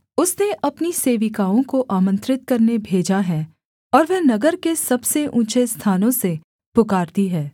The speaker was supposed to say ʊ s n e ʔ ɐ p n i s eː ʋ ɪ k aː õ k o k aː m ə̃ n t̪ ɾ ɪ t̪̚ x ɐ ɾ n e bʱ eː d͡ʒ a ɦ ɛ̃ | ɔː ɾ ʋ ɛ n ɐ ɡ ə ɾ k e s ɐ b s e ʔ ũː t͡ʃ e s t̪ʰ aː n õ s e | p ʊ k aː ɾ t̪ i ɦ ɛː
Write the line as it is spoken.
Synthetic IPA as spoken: ʊ s n e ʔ ɐ p n i s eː ʋ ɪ k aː õ k o ʔ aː m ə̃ n t̪ ɾ ɪ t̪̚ k ɐ ɾ n e bʱ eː d͡ʒ a ɦ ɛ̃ | ɔː ɾ ʋ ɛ n ɐ ɡ ə ɾ k e s ɐ b s e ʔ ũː t͡ʃ e s t̪ʰ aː n õ s e | p ʊ k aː ɾ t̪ i ɦ ɛː